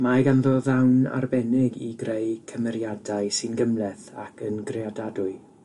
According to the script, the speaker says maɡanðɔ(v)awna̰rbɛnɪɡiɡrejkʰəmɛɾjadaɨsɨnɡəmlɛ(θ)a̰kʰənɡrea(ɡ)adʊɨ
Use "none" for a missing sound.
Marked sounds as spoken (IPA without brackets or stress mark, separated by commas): ð, θ, d